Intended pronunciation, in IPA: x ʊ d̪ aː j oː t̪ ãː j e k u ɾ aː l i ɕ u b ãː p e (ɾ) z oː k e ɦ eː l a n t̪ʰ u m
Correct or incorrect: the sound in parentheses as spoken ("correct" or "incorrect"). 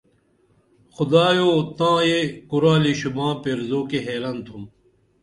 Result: correct